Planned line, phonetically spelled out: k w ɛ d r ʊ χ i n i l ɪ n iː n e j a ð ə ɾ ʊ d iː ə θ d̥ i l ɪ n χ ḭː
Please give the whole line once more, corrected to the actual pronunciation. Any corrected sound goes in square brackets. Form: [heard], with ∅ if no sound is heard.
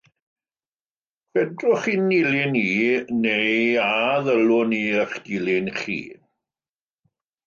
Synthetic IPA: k w ɛ d r ʊ χ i n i l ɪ n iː n e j a ð ə [l] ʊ [n] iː ə [χ] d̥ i l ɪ n χ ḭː